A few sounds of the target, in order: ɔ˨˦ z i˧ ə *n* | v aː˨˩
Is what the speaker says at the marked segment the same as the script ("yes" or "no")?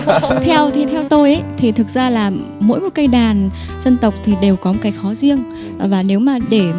no